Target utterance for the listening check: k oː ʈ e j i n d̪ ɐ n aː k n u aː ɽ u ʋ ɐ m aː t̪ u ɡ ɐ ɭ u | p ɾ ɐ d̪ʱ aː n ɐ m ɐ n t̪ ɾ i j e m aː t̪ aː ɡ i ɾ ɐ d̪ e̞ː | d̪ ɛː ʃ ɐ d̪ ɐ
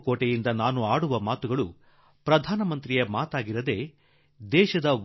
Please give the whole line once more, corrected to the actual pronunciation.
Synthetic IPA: k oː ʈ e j i n d̪ ɐ n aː n u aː ɽ u ʋ ɐ m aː t̪ u ɡ ɐ ɭ u | p ɾ ɐ d̪ʱ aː n ɐ m ɐ n t̪ ɾ i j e m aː t̪ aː ɡ i ɾ ɐ d̪ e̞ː | d̪ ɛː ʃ ɐ d̪ ɐ